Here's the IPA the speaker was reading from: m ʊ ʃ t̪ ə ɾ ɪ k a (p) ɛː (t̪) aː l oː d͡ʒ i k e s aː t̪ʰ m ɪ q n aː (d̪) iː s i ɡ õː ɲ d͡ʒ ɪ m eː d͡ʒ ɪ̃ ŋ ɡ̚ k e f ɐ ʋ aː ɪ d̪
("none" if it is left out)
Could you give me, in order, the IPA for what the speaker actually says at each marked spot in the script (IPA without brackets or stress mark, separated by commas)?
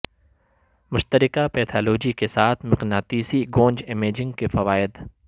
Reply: p, t̪ʰ, t̪